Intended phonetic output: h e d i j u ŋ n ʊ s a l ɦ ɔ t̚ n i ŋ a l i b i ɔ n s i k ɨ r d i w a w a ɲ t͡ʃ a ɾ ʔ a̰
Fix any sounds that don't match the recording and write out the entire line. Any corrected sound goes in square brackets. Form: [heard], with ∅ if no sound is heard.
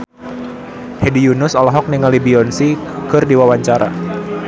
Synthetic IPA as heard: h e d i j u [∅] n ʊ s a l ɦ ɔ [k̚] n i ŋ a l i b i ɔ n s i k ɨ r d i w a w a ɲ t͡ʃ a ɾ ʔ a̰